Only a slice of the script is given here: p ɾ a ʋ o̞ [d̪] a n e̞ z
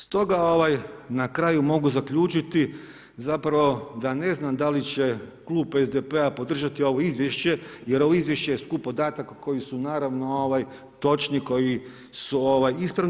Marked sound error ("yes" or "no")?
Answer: no